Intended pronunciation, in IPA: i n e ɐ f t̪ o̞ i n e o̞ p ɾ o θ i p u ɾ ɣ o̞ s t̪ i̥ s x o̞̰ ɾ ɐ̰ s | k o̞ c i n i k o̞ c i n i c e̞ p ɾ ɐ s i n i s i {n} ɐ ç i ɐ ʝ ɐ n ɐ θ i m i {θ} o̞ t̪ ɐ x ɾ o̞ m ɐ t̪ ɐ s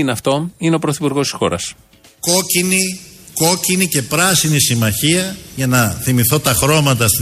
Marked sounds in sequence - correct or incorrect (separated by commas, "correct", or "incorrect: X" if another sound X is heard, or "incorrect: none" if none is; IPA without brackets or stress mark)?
incorrect: m, correct